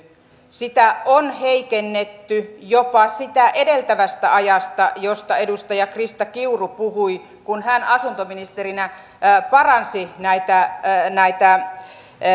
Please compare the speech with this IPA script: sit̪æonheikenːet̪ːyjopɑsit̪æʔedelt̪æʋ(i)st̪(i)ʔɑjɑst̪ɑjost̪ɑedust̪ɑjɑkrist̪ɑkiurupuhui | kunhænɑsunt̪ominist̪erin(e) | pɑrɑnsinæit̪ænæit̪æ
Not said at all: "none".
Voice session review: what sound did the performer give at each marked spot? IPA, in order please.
æ, æ, æ

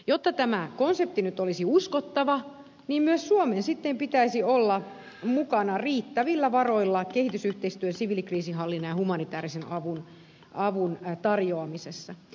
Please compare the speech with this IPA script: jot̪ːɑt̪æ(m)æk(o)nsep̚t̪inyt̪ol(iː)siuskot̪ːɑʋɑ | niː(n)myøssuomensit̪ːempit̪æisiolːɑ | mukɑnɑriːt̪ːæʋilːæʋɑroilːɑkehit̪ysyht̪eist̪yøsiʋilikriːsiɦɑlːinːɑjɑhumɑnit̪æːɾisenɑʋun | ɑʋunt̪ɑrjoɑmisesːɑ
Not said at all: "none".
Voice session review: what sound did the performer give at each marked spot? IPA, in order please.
m, o, i, m

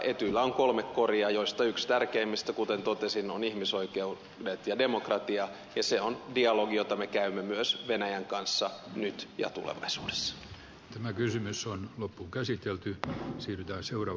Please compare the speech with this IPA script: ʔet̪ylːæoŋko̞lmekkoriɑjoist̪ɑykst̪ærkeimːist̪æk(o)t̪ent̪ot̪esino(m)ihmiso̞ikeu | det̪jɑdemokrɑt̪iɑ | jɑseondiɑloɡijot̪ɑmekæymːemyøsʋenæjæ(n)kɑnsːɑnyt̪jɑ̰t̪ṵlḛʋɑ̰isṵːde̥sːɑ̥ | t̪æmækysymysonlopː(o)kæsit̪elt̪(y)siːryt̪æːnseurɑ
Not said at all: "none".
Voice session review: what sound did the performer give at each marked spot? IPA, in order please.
u, n, ŋ, u, y

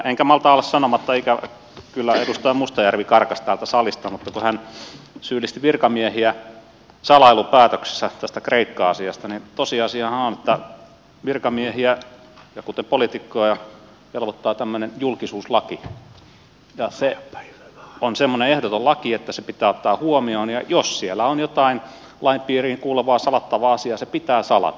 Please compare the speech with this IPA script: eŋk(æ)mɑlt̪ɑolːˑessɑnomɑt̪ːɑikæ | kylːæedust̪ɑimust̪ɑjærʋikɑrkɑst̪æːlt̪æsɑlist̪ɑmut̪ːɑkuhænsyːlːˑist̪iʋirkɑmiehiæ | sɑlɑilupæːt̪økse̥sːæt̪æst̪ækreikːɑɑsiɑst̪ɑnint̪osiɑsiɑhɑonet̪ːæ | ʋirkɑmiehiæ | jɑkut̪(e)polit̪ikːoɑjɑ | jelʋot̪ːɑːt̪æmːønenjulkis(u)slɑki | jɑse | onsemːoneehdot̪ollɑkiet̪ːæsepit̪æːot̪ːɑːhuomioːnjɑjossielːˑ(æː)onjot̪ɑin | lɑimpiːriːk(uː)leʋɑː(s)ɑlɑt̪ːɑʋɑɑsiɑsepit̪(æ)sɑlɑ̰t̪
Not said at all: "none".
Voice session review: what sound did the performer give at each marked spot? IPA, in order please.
æ, e, uː, æ, uː, s, æː

